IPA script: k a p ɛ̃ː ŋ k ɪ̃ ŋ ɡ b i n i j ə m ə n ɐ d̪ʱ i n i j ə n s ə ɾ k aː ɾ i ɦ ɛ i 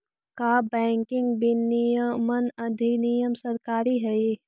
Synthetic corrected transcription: k a b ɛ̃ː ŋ k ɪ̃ ŋ ɡ b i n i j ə m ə n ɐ d̪ʱ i n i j ə m s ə ɾ k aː ɾ i ɦ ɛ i

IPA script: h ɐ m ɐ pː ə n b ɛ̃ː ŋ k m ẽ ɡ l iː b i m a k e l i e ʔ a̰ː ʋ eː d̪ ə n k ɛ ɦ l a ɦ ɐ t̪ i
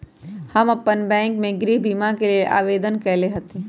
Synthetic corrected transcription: h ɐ m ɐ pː ə n b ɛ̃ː ŋ k m ẽ ɡ ɾ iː b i m a k e l i e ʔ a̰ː ʋ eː d̪ ə n k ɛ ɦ l e ɦ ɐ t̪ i

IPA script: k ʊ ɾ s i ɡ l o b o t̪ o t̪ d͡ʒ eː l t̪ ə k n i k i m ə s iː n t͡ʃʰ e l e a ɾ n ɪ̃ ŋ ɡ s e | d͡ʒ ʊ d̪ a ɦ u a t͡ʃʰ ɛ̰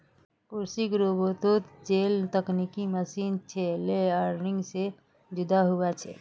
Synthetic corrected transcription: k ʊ ɾ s i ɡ ɾ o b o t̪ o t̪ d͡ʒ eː l t̪ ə k n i k i m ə s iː n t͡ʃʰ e l e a ɾ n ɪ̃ ŋ ɡ s e | d͡ʒ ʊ d̪ a ɦ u a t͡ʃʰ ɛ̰

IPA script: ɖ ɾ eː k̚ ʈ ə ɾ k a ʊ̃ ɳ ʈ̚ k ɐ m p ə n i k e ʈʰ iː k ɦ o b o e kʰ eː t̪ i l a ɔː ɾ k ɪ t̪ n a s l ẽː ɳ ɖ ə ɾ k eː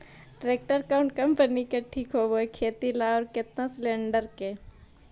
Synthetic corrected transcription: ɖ ɾ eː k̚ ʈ ə ɾ k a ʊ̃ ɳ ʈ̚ k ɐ m p ə n i k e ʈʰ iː k ɦ o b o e kʰ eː t̪ i l a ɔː ɾ k ɪ t̪ n a s l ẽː ɳ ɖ ə ɾ k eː

